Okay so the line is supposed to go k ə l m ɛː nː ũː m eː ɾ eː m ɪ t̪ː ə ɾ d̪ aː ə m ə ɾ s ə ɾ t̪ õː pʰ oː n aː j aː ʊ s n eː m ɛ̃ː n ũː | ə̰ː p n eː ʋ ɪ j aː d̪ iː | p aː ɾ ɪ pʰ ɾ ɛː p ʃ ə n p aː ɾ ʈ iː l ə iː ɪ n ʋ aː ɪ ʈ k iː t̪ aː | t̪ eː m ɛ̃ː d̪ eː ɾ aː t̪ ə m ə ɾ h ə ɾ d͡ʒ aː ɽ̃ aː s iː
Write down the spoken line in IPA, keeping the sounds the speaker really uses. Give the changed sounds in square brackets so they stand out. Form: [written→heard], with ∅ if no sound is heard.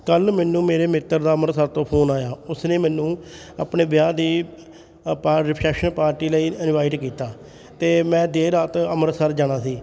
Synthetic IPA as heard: k ə l m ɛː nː ũː m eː ɾ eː m ɪ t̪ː ə ɾ d̪ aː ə m ə ɾ s ə ɾ t̪ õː pʰ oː n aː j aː ʊ s n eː m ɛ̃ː n ũː | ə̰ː p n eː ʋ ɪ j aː d̪ iː | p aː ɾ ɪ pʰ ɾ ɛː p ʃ ə n p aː ɾ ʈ iː l ə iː ɪ n ʋ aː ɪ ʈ k iː t̪ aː | t̪ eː m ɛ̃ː d̪ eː ɾ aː t̪ ə m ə ɾ [h→s] ə ɾ d͡ʒ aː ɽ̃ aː s iː